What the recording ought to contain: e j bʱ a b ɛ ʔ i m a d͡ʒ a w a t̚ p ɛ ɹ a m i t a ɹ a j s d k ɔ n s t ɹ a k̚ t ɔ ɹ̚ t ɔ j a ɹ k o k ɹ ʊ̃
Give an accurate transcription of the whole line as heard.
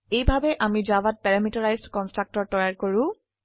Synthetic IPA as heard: e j bʱ a b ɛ ʔ a m i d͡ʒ a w a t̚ p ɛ ɹ a m i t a ɹ a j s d k ɔ n s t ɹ a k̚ t ɔ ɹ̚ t ɔ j a ɹ k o ɹ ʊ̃